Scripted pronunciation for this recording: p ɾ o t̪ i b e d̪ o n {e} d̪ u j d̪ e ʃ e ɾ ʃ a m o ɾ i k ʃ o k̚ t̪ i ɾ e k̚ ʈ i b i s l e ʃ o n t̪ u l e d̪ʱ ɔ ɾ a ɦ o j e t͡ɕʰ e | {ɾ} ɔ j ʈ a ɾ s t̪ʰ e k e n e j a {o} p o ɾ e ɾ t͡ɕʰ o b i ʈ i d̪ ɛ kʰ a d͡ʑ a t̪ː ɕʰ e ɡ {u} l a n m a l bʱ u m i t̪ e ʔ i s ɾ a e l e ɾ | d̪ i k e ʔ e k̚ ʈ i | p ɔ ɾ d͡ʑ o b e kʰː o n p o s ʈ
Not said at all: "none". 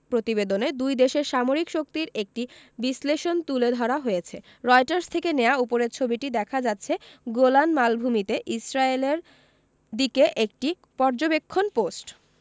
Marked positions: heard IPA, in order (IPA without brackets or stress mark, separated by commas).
e, ɾ, u, o